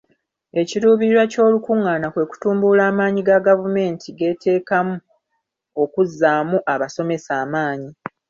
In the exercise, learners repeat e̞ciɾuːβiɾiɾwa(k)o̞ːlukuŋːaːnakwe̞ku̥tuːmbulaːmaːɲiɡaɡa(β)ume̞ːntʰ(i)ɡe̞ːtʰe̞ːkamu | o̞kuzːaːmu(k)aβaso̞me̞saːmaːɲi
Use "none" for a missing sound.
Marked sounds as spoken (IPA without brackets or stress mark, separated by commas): c, v, i, ʔ